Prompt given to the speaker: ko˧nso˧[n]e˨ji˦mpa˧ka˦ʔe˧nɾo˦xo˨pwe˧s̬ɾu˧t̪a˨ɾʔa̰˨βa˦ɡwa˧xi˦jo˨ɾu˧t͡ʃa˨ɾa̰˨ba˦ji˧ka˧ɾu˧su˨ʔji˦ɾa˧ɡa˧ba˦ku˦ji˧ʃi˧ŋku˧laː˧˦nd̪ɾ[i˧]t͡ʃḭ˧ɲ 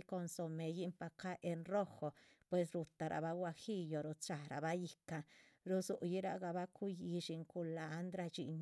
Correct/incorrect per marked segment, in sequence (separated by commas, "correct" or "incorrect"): incorrect, incorrect